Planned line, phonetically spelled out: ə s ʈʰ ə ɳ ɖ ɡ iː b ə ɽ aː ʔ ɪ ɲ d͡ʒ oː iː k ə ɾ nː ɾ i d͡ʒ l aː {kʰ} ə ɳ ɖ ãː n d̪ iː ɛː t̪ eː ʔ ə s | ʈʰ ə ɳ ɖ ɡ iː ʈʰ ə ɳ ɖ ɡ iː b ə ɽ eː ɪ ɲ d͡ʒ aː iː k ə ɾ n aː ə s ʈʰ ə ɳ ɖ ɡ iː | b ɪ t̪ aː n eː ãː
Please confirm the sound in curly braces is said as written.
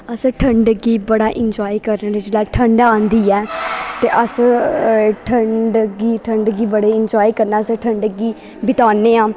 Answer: no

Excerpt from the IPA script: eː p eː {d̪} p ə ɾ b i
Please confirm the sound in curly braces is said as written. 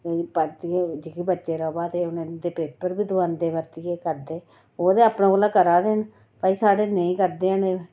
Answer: no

